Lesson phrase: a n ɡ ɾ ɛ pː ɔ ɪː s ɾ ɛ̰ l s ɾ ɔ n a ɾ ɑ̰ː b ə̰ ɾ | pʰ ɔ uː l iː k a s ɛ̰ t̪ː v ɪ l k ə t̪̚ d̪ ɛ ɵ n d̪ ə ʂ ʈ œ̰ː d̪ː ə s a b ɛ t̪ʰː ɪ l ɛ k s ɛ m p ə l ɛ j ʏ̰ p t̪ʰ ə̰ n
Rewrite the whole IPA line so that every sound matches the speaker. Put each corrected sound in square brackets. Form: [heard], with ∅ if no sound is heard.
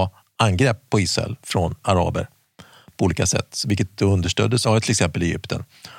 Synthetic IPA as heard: a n ɡ ɾ ɛ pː ɔ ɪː s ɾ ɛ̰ l [f] ɾ ɔ n a ɾ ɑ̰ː b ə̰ ɾ | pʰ ɔ uː l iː k a s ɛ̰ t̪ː v ɪ l k ə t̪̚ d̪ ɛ ɵ n d̪ ə ʂ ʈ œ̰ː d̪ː ə s a [v] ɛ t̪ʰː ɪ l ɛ k s ɛ m p ə l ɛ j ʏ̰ p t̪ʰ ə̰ n